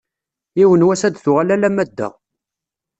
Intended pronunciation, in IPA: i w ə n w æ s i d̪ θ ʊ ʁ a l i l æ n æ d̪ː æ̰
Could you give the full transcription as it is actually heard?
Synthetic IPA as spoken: i w ə n w æ s æ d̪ θ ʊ ʁ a l æ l æ m æ d̪ː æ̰

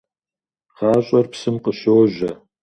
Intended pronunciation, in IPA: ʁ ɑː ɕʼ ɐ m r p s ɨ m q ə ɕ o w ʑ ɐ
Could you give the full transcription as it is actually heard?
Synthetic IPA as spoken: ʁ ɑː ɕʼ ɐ r p s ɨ m q ə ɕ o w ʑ ɐ

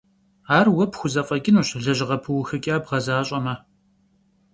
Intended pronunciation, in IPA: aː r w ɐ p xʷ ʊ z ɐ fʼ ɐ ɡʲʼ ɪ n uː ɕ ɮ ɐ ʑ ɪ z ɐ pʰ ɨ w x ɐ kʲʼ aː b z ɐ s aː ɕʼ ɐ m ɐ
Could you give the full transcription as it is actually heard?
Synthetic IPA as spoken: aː r w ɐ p xʷ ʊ z ɐ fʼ ɐ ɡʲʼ ɪ n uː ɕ ɮ ɐ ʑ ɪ ʁ ɐ pʰ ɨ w x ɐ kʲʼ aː b ʁ ɐ z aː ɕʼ ɐ m ɐ

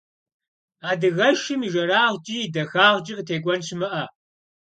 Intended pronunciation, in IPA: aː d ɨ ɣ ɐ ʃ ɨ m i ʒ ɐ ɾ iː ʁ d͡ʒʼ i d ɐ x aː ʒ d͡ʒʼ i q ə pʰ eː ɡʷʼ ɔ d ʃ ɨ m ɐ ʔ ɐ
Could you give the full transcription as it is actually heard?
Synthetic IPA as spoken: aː d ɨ ɣ ɐ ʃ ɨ m i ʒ ɐ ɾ aː ʁ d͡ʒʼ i d ɐ x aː ʁ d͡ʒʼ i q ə tʰ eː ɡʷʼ ɔ n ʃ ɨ m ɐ ʔ ɐ

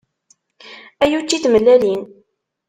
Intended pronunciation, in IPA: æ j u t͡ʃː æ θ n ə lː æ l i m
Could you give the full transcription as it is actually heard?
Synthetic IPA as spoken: æ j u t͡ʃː i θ m ə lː æ l i n

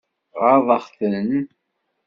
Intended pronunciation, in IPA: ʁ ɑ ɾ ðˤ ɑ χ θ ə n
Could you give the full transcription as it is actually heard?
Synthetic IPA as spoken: ʁ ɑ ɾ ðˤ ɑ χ θ ə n

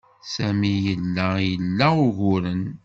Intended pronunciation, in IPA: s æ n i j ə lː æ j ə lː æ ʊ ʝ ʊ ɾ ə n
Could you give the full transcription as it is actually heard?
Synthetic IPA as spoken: s æ m i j ə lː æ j ə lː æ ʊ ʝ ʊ ɾ ə n

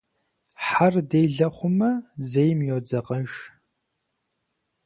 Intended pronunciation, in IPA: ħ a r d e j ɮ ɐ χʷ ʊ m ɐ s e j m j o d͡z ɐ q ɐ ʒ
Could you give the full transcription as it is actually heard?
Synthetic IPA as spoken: ħ a r d e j ɮ ɐ χʷ ʊ m ɐ z e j m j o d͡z ɐ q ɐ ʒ

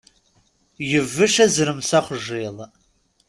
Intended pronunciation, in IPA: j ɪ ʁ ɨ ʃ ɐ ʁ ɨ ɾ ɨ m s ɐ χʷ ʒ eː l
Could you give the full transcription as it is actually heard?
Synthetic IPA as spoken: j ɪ v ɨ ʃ ɐ z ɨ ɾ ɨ m s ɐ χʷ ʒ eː l

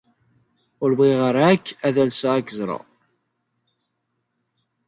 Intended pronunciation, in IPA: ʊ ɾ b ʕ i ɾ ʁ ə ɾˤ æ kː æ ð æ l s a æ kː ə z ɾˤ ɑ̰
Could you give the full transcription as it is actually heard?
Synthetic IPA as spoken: ʊ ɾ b ʁ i ʁ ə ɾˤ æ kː æ ð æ l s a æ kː ə z ɾˤ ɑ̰

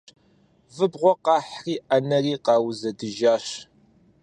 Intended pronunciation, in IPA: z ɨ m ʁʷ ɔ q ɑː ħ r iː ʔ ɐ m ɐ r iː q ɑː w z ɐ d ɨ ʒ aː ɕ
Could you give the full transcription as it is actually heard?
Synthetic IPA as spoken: v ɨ b ʁʷ ɔ q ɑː ħ r iː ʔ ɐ n ɐ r iː q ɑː w z ɐ d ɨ ʒ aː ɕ

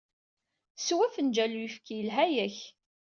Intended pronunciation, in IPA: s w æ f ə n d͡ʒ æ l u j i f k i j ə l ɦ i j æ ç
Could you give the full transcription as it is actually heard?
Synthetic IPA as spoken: s w æ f ə n d͡ʒ æ l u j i f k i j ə l ɦ æ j æ ç

